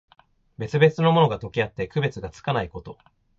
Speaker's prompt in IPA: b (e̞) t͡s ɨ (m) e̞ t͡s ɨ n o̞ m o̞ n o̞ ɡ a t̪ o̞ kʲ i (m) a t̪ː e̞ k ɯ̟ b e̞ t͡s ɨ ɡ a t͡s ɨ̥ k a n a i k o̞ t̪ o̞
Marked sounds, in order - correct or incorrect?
correct, incorrect, incorrect

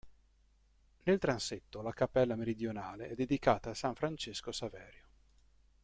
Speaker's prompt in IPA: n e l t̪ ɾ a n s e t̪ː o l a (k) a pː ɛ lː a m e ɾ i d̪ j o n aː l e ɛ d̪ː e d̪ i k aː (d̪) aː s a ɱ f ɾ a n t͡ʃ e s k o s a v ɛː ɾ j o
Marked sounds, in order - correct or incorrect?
correct, incorrect

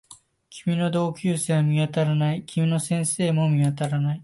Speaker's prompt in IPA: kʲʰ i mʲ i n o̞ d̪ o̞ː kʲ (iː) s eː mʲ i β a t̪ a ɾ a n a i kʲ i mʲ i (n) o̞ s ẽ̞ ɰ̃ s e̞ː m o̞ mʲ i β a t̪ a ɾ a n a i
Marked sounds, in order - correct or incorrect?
incorrect, correct

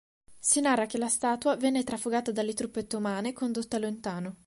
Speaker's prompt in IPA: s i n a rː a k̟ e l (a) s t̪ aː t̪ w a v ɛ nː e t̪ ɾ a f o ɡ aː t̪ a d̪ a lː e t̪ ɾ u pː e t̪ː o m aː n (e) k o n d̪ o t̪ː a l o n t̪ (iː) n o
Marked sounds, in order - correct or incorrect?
correct, correct, incorrect

